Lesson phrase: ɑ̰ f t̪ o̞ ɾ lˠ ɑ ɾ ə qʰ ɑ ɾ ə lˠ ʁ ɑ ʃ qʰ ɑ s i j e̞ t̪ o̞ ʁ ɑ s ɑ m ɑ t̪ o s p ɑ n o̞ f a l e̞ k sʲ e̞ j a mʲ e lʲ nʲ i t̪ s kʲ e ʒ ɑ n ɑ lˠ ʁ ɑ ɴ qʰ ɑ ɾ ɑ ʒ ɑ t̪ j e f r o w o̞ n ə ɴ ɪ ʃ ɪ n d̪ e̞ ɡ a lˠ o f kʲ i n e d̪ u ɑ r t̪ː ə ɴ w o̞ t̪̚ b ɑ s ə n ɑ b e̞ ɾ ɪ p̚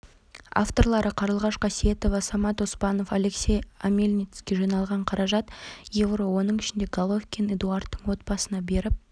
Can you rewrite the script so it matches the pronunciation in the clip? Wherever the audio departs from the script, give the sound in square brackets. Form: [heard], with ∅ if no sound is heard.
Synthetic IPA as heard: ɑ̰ f t̪ o̞ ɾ lˠ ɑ ɾ ə qʰ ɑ ɾ ə lˠ ʁ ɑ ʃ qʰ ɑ s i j e̞ t̪ o̞ [v] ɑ s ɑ m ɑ t̪ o s p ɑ n o̞ f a l e̞ k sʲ e̞ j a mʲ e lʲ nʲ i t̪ s kʲ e ʒ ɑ n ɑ lˠ ʁ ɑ ɴ qʰ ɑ ɾ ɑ ʒ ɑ t̪ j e [v] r o w o̞ n ə ɴ ɪ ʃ ɪ n d̪ e̞ ɡ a lˠ o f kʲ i n e d̪ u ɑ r t̪ː ə ɴ w o̞ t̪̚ b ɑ s ə n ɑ b e̞ ɾ ɪ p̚

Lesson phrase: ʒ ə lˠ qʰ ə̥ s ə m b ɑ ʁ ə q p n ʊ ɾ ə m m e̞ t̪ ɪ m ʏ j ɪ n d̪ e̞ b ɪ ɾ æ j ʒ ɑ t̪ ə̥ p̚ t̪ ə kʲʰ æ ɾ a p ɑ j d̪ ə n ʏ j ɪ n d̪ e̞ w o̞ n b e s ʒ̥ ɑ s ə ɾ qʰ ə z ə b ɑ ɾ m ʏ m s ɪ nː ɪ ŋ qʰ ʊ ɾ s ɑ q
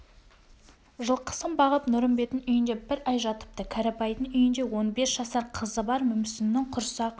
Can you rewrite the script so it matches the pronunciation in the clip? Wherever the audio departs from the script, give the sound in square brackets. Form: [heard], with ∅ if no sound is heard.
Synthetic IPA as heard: ʒ ə lˠ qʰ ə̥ s ə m b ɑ ʁ ə [∅] p n ʊ ɾ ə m [b] e̞ t̪ ɪ [n] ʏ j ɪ n d̪ e̞ b ɪ ɾ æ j ʒ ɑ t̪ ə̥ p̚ t̪ ə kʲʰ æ ɾ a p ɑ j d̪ ə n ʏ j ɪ n d̪ e̞ w o̞ n b e s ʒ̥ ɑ s [ɑ] ɾ qʰ ə z ə b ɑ ɾ m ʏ m s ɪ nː ɪ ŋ qʰ ʊ ɾ s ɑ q

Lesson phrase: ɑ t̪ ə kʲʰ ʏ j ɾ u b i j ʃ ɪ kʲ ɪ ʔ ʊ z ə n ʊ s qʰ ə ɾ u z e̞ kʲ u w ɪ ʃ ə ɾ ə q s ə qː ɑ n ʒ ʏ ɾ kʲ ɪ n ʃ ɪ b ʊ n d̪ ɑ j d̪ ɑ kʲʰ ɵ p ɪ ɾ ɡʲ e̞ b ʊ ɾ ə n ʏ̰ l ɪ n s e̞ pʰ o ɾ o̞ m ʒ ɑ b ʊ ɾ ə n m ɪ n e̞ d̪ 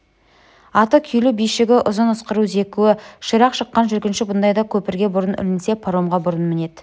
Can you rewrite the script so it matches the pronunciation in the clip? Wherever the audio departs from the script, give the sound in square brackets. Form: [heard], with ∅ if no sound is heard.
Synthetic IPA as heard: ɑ t̪ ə kʲʰ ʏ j [l] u b i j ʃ ɪ [ɡʲ] ɪ ʔ ʊ z ə n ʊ s [q] ə ɾ u z e̞ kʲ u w ɪ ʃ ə ɾ [ɑ] q [ʃ] ə qː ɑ n ʒ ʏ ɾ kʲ ɪ n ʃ ɪ b ʊ n d̪ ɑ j d̪ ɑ kʲʰ ɵ p ɪ ɾ ɡʲ e̞ b ʊ ɾ ə n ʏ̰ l ɪ n s e̞ pʰ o ɾ o̞ m [ʁ] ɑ b ʊ ɾ ə n m ɪ n e̞ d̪

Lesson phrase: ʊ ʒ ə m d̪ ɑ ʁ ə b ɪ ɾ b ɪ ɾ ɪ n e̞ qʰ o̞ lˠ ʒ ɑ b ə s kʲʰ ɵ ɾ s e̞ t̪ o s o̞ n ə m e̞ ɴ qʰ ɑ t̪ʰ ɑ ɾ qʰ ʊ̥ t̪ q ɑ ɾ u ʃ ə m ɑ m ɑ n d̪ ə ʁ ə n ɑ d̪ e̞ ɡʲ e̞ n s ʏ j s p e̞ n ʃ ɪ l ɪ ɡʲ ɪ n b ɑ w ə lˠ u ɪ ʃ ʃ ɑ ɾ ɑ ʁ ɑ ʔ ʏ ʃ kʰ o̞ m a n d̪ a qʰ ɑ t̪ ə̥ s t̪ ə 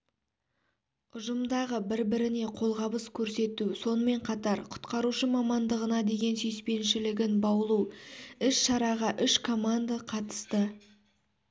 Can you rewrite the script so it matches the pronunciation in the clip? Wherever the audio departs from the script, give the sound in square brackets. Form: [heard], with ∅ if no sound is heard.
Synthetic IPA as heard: ʊ ʒ ə m d̪ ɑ ʁ ə b ɪ ɾ b ɪ ɾ ɪ n e̞ qʰ o̞ lˠ [ʁ] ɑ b ə s kʲʰ ɵ ɾ s e̞ t̪ [u] s o̞ n ə m e̞ ɴ qʰ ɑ [t̪] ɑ ɾ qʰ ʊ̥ t̪ q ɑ ɾ u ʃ ə m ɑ m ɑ n d̪ ə ʁ ə n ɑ d̪ e̞ ɡʲ e̞ n s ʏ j s p e̞ n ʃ ɪ l ɪ ɡʲ ɪ n b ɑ w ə lˠ u ɪ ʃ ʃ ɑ ɾ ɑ ʁ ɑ ʔ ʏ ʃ kʰ o̞ m a n d̪ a qʰ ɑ t̪ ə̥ s t̪ ə

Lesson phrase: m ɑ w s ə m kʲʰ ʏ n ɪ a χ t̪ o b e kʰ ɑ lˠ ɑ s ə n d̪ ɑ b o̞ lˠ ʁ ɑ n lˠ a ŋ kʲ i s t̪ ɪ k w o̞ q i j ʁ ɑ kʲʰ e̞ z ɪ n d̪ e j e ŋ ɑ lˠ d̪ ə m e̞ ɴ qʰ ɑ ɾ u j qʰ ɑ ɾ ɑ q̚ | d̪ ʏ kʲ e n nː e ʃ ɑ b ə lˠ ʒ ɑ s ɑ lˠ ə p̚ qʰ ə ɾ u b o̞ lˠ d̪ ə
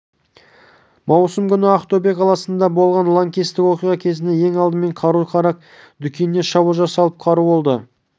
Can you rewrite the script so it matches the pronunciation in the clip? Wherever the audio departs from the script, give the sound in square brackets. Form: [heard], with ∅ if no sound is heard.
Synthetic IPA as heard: m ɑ w s ə m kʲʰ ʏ n ɪ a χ t̪ o b e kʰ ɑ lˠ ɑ s ə n d̪ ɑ b o̞ lˠ ʁ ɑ n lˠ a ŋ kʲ i s t̪ ɪ k w o̞ q i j ʁ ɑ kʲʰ e̞ z ɪ n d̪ e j e ŋ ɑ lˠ d̪ ə m e̞ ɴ qʰ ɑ ɾ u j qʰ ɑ ɾ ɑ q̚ | d̪ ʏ kʲ e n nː e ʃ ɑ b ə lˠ ʒ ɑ s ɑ lˠ ə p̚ qʰ [ɑ] ɾ u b o̞ lˠ d̪ ə

